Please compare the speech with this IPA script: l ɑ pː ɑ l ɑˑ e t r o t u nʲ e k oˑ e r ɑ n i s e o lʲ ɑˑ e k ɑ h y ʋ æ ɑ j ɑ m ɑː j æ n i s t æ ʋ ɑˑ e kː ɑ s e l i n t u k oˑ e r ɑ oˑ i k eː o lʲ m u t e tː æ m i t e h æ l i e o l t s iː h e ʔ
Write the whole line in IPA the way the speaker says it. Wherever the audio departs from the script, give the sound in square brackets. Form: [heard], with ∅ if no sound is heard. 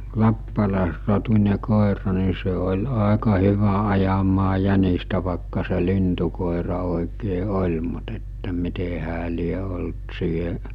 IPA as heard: l ɑ pː ɑ l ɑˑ e [s] r o t u nʲ e k oˑ e r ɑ n i s e o lʲ ɑˑ e k ɑ h y ʋ æ ɑ j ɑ m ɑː j æ n i s t æ ʋ ɑˑ e kː ɑ s e l i n t u k oˑ e r ɑ oˑ i k eː o lʲ m u t e tː æ m i t e h [æː] l i e o l t s iː h e ʔ